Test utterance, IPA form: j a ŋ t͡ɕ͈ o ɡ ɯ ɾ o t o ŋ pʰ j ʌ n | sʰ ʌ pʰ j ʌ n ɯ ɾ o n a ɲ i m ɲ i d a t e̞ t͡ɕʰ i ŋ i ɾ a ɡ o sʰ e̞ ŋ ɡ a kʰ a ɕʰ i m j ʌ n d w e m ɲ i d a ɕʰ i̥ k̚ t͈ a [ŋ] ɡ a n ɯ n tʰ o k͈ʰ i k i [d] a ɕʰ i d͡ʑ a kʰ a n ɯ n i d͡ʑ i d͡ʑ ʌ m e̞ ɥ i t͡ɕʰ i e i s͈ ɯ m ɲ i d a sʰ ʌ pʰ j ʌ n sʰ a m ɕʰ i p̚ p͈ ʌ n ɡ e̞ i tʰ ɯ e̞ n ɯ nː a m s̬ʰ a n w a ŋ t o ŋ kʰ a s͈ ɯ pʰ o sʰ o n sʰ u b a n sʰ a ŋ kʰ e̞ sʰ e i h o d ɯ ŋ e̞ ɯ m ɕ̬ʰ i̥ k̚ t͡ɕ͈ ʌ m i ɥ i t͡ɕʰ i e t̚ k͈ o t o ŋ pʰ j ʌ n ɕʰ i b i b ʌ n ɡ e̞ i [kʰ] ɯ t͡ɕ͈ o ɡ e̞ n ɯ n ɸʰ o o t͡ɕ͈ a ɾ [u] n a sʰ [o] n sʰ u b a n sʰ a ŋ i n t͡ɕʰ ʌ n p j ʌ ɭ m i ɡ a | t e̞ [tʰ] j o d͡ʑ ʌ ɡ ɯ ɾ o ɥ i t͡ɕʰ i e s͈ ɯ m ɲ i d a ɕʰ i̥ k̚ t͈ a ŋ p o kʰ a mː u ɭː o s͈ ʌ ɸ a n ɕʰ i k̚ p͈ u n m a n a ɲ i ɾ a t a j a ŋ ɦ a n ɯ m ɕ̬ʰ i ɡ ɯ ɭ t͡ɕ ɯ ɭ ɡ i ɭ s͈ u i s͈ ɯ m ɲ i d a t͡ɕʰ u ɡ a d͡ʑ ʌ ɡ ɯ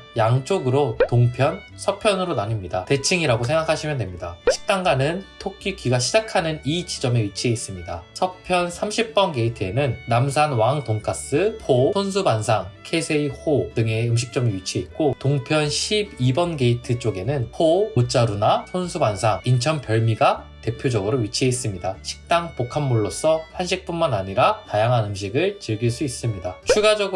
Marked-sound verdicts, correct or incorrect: correct, incorrect: ɡ, incorrect: tʰ, correct, correct, incorrect: pʰ

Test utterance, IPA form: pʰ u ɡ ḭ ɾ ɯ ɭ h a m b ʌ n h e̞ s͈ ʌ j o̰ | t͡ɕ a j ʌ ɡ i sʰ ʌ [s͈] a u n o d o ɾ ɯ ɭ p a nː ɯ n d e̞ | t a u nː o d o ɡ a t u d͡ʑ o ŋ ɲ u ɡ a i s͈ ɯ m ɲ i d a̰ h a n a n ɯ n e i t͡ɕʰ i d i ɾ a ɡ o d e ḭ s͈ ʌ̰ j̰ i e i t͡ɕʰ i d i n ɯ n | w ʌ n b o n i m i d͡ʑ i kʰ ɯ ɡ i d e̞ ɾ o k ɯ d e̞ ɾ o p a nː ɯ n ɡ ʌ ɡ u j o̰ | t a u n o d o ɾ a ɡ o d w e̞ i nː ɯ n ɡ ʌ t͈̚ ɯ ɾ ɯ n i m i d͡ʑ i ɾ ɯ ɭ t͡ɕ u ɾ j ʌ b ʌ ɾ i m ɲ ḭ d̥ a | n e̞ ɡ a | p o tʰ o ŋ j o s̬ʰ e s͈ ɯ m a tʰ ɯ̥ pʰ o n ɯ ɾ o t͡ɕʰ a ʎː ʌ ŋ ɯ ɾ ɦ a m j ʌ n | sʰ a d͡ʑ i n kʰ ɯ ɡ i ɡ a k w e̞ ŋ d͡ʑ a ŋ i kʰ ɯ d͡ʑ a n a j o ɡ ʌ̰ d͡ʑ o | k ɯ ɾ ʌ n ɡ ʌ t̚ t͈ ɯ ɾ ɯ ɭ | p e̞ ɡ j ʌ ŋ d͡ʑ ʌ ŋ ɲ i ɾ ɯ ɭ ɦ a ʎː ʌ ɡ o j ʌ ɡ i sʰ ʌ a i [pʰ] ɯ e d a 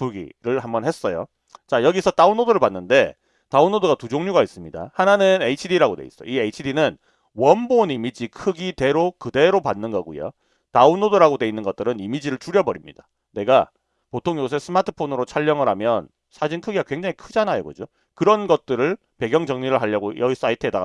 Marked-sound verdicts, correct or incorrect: incorrect: t͈, incorrect: tʰ

